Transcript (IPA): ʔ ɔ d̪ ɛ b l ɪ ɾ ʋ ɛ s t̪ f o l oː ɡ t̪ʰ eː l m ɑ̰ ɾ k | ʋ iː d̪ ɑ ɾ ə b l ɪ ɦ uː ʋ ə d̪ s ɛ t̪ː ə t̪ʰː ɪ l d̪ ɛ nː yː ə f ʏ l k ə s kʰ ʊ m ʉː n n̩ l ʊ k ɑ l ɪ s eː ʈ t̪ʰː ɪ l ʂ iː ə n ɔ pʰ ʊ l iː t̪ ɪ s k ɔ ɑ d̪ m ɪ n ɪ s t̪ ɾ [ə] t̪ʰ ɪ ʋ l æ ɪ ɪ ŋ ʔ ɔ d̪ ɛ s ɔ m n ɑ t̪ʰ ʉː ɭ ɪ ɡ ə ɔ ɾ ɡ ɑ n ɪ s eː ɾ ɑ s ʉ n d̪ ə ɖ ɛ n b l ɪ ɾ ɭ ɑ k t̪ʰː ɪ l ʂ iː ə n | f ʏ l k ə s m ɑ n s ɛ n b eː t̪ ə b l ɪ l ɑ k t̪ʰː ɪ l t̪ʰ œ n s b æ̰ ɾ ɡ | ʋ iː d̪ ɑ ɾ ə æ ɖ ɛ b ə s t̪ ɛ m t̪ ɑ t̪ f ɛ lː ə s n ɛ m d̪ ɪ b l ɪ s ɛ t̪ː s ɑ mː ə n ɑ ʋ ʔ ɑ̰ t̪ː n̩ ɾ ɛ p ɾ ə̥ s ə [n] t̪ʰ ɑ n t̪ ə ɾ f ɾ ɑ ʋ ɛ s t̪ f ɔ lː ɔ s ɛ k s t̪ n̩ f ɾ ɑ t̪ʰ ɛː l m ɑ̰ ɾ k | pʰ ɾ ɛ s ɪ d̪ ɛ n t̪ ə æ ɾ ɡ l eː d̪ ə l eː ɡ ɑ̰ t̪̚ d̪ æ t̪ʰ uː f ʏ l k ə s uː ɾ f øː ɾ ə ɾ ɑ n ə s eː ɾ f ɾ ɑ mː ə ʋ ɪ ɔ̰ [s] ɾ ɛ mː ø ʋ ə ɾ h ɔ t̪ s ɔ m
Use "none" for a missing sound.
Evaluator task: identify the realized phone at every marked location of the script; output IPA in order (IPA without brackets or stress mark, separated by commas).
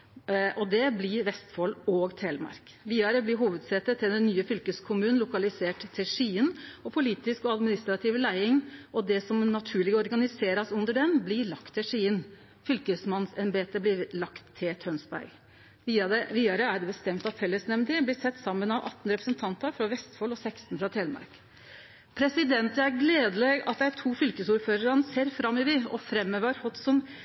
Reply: ɑ, n, f